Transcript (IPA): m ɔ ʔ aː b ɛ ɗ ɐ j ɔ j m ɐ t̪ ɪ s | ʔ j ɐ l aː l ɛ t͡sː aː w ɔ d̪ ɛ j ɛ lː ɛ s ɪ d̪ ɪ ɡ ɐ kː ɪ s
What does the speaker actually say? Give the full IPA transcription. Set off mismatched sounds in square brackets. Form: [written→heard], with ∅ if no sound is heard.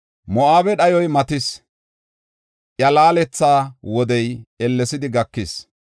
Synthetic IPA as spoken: m ɔ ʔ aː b ɛ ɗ ɐ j ɔ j m ɐ t̪ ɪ s | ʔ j ɐ l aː l ɛ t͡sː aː w ɔ d̪ ɛ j ɛ lː ɛ s ɪ d̪ ɪ ɡ ɐ kː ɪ s

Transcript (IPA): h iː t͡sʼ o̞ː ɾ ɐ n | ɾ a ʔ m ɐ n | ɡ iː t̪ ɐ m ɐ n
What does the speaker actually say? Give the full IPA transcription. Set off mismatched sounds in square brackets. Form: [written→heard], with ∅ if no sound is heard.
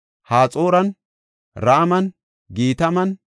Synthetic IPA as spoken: h [iː→aː] t͡sʼ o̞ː ɾ ɐ n | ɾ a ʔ m ɐ n | ɡ iː t̪ ɐ m ɐ n

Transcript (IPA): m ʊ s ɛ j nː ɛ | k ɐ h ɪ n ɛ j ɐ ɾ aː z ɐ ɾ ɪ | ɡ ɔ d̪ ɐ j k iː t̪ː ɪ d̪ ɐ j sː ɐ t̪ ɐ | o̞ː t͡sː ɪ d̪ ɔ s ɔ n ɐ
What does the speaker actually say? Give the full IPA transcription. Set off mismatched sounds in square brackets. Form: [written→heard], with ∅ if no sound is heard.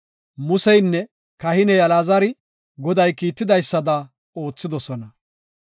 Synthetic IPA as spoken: m ʊ s ɛ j nː ɛ | k ɐ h ɪ n ɛ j ɐ [ɾ→l] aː z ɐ ɾ ɪ | ɡ ɔ d̪ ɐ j k iː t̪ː ɪ d̪ ɐ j sː ɐ [t̪→d̪] ɐ | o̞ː t͡sː ɪ d̪ ɔ s ɔ n ɐ

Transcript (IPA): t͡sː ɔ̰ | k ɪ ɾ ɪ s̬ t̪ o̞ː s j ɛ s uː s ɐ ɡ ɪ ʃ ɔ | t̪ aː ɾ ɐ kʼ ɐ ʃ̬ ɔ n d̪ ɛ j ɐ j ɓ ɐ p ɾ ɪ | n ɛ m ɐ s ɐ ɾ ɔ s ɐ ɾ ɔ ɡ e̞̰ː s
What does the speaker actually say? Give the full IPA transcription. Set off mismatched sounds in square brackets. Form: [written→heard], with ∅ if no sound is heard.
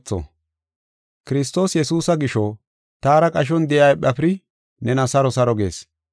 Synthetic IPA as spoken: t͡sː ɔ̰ | k ɪ ɾ ɪ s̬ t̪ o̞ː s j ɛ s uː s ɐ ɡ ɪ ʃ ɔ | t̪ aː ɾ ɐ kʼ ɐ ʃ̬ ɔ n d̪ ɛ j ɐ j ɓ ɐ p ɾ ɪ | n ɛ [m→n] ɐ s ɐ ɾ ɔ s ɐ ɾ ɔ ɡ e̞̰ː s

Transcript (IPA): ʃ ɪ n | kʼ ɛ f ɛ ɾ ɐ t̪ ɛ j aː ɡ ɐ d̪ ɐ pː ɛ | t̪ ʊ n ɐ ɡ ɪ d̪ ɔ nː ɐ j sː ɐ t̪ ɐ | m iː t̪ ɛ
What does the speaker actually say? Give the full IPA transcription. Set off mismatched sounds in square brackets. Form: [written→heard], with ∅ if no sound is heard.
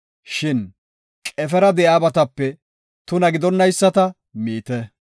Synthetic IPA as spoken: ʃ ɪ n | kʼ ɛ f ɛ ɾ ɐ [t̪→d̪] ɛ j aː [ɡ→b] ɐ [d̪→t̪] ɐ pː ɛ | t̪ ʊ n ɐ ɡ ɪ d̪ ɔ nː ɐ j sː ɐ t̪ ɐ | m iː t̪ ɛ

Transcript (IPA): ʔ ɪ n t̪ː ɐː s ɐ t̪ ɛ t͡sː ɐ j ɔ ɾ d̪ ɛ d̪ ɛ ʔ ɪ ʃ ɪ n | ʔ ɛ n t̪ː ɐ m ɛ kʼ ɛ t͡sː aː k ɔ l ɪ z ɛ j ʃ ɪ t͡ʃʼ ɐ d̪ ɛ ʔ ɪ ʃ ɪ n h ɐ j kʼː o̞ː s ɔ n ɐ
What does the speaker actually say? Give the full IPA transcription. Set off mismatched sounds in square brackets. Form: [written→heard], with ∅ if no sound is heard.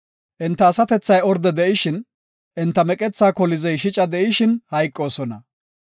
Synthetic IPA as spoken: ʔ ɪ n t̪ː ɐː s ɐ t̪ ɛ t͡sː ɐ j ɔ ɾ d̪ ɛ d̪ ɛ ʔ ɪ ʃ ɪ n | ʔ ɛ n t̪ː ɐ m ɛ kʼ ɛ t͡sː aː k ɔ l ɪ z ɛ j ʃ ɪ t͡ʃʼ ɐ d̪ ɛ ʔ ɪ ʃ ɪ n h ɐ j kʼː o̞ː s ɔ n ɐ

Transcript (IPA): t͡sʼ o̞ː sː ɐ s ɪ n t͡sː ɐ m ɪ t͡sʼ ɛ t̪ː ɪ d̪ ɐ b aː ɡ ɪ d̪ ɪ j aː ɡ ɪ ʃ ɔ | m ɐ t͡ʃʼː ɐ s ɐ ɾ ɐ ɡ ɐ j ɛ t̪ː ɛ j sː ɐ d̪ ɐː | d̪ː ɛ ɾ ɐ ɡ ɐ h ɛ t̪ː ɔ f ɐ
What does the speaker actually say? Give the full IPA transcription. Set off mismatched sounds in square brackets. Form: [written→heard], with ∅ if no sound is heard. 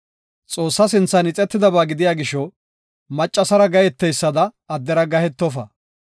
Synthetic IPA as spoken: t͡sʼ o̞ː sː ɐ s ɪ n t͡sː ɐ [m→n] ɪ t͡sʼ ɛ t̪ː ɪ d̪ ɐ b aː ɡ ɪ d̪ ɪ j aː ɡ ɪ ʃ ɔ | m ɐ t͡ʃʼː ɐ s ɐ ɾ ɐ ɡ ɐ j ɛ t̪ː ɛ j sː ɐ d̪ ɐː | d̪ː ɛ ɾ ɐ ɡ ɐ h ɛ t̪ː ɔ f ɐ

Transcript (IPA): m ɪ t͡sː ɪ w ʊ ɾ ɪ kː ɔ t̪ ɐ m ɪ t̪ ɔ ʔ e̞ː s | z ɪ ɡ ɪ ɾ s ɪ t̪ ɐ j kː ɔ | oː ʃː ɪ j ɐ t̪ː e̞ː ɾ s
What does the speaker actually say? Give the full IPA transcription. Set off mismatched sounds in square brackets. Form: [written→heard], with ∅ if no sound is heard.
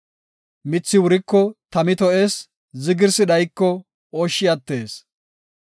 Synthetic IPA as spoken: m ɪ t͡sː ɪ w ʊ ɾ ɪ kː ɔ t̪ ɐ m ɪ t̪ ɔ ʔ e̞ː s | z ɪ ɡ ɪ ɾ s ɪ [t̪→d̪] ɐ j kː ɔ | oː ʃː ɪ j ɐ t̪ː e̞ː [ɾ→∅] s

